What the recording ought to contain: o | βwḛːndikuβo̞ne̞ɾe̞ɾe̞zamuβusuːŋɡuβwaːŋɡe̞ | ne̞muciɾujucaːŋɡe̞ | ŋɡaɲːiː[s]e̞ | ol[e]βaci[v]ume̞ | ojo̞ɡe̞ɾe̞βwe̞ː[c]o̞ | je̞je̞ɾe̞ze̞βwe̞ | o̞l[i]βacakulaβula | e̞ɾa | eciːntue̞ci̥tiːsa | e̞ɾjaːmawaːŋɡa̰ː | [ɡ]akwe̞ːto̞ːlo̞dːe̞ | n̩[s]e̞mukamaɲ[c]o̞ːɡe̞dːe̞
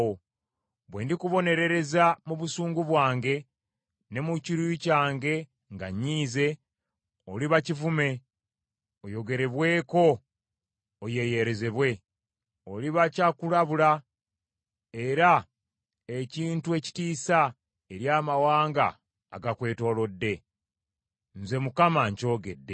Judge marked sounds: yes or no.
no, no, yes, no, yes, yes, no, yes

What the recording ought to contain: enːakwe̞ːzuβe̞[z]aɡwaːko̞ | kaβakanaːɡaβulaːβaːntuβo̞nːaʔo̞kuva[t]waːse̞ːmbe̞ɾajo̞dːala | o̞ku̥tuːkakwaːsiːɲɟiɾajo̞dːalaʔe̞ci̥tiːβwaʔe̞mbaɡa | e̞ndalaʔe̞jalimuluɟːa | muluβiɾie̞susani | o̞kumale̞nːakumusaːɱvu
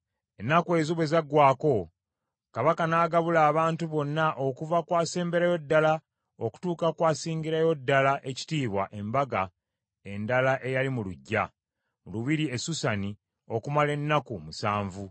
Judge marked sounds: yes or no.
yes, no

